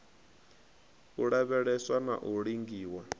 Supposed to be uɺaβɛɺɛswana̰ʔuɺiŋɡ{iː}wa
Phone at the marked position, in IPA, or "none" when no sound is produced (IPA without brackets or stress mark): iː